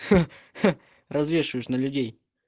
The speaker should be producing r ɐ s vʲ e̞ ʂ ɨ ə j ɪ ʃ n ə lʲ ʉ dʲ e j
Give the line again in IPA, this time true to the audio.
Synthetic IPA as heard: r ɐ z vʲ e̞ ʂ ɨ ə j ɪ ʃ n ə lʲ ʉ dʲ e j